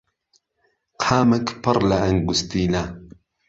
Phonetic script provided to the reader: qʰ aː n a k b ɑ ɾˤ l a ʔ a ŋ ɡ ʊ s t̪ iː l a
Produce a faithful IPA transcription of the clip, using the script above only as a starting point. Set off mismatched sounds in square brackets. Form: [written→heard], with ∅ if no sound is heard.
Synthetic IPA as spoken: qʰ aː [n→m] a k [b→p] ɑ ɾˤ l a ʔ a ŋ ɡ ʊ s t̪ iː l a